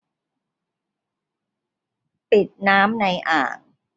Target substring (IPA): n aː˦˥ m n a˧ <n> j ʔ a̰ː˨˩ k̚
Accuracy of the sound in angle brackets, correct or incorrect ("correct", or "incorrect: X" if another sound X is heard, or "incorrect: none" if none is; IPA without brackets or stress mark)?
incorrect: none